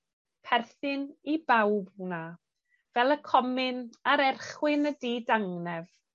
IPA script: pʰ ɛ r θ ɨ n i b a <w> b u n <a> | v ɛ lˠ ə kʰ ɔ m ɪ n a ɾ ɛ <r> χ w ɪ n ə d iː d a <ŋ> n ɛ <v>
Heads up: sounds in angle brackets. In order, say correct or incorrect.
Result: correct, correct, correct, correct, correct

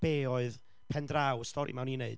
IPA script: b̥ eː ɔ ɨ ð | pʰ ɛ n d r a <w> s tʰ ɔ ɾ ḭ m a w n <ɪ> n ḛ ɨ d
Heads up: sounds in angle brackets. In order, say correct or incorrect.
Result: correct, incorrect

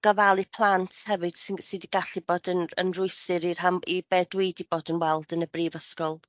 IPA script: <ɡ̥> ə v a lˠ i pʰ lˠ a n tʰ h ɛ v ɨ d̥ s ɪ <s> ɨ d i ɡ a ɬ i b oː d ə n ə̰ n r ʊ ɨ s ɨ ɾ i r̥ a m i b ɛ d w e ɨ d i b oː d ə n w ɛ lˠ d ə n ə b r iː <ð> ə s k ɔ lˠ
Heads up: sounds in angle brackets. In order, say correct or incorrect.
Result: correct, correct, incorrect

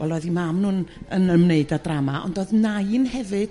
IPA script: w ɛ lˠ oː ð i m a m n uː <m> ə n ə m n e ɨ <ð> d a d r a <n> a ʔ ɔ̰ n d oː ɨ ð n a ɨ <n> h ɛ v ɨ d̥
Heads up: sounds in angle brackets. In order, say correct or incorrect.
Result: incorrect, incorrect, incorrect, correct

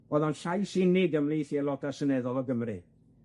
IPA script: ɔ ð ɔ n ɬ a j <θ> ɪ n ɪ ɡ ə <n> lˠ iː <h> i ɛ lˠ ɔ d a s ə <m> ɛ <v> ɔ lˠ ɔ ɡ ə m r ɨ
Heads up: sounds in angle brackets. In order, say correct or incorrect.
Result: incorrect, incorrect, incorrect, incorrect, incorrect

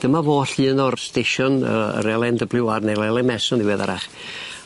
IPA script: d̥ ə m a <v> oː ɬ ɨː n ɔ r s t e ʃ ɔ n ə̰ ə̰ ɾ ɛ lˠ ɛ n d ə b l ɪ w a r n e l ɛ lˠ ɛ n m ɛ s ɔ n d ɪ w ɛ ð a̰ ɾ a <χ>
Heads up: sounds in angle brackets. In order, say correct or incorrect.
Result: correct, correct

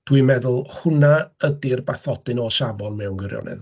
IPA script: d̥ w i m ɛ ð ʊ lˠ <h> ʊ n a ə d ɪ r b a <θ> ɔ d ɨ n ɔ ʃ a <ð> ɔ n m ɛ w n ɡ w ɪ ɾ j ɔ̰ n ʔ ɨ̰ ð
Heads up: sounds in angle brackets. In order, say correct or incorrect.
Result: correct, correct, incorrect

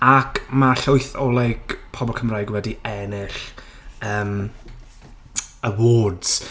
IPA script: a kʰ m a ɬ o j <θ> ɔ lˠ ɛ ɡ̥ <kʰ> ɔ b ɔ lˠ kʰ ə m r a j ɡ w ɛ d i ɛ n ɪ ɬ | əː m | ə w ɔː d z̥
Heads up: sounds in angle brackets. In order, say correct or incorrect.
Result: correct, incorrect

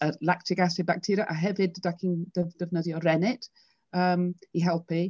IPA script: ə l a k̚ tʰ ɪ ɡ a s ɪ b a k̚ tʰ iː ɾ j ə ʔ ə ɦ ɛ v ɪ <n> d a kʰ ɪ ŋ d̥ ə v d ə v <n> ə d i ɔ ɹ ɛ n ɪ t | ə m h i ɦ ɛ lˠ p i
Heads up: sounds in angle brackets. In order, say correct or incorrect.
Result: incorrect, correct

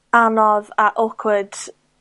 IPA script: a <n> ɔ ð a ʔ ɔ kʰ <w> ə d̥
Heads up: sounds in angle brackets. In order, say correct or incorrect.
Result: correct, correct

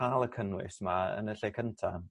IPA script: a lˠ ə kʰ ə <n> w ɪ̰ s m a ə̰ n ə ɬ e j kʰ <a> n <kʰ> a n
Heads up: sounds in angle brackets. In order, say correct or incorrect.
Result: correct, incorrect, incorrect

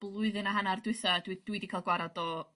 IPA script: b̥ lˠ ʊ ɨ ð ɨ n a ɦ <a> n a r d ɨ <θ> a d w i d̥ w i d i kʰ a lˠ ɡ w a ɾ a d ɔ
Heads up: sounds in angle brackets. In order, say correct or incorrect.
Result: correct, correct

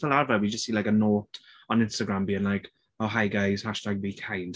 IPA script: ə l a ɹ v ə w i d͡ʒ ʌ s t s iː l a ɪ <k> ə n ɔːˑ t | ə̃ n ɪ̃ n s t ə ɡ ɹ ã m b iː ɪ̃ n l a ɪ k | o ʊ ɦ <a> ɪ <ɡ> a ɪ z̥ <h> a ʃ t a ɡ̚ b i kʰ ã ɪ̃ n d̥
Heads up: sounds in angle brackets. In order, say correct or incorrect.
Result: correct, correct, correct, correct

